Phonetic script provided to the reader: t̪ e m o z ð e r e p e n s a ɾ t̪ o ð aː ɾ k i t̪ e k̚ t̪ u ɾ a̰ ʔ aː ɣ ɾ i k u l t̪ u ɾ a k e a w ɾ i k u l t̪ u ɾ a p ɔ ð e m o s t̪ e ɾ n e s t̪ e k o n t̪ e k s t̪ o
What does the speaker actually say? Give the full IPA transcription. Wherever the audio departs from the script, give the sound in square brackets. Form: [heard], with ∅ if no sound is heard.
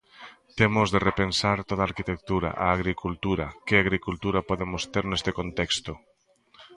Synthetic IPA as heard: t̪ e m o z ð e r e p e n s a ɾ t̪ o ð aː ɾ k i t̪ e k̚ t̪ u ɾ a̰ ʔ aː ɣ ɾ i k u l t̪ u ɾ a k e a [ɣ] ɾ i k u l t̪ u ɾ a p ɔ ð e m o s t̪ e ɾ n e s t̪ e k o n t̪ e k s t̪ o